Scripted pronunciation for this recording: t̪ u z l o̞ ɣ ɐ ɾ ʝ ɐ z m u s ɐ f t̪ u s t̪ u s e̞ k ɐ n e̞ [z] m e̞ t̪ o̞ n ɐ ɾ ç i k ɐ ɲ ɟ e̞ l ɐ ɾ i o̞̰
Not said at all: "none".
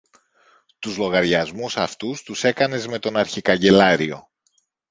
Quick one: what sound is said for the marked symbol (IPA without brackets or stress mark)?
z